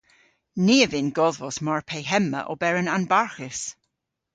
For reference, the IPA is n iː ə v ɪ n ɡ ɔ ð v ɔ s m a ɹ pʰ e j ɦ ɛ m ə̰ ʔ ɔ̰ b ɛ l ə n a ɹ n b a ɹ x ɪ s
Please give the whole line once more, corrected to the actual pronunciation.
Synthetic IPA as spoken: n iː ə v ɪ n ɡ ɔ ð v ɔ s m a ɹ pʰ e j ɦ ɛ m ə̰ ʔ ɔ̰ b ɛ ɹ ə n a n b a ɹ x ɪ s